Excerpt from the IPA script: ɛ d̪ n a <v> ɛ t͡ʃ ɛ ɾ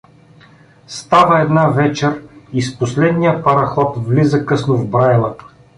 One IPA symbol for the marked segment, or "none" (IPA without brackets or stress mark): v